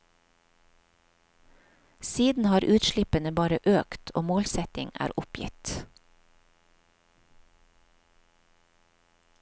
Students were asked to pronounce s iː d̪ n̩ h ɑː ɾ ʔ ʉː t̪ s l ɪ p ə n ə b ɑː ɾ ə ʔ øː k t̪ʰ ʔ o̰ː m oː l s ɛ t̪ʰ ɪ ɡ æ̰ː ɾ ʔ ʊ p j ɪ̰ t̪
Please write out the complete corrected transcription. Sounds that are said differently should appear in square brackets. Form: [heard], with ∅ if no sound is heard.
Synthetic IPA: s iː d̪ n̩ h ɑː ɾ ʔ ʉː t̪ [ʃ] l ɪ p ə n ə b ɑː ɾ ə ʔ øː k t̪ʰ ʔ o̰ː m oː l s ɛ [t̪] ɪ [ŋ] æ̰ː ɾ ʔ ʊ p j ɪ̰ t̪